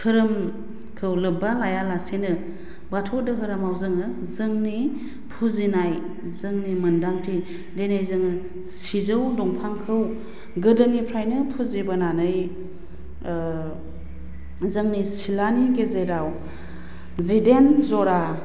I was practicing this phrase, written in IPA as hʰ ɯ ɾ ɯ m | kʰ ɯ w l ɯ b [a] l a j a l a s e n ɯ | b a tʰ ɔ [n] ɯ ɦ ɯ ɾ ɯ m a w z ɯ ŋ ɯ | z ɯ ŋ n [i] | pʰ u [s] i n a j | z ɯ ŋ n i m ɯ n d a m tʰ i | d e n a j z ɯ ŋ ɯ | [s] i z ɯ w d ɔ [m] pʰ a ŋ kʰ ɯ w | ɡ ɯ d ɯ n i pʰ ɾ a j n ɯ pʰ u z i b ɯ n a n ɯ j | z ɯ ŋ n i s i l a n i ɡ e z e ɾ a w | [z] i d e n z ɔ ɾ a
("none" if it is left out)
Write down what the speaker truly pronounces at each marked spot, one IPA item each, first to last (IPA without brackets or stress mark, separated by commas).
a, d, i, z, s, ŋ, z